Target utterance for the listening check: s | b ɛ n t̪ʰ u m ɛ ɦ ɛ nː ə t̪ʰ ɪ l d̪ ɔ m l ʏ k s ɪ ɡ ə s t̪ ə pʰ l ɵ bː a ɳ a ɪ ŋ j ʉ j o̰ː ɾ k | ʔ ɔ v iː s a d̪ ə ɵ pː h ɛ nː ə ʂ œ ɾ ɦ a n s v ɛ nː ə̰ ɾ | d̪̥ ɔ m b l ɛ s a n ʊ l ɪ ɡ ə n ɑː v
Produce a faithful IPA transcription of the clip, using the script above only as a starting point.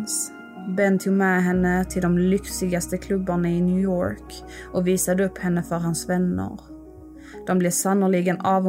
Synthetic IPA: s | b ɛ n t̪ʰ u m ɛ ɦ ɛ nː ə t̪ʰ ɪ l d̪ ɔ m l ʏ k s ɪ ɡ a s t̪ ə kʰ l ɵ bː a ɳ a ɪ n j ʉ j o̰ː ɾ k | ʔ ɔ v iː s a d̪ ə ɵ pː h ɛ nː ə f œ ɾ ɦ a n s v ɛ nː ə̰ ɾ | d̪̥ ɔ m b l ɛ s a n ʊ l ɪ ɡ ə n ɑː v